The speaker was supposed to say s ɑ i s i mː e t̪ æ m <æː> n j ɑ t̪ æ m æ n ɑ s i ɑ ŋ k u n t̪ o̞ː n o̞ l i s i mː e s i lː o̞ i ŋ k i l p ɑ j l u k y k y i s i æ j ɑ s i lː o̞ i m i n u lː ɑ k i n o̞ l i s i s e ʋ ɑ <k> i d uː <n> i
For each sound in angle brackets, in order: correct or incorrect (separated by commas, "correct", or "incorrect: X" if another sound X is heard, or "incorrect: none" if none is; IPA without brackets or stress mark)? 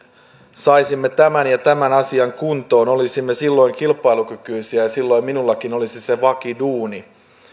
incorrect: æ, correct, correct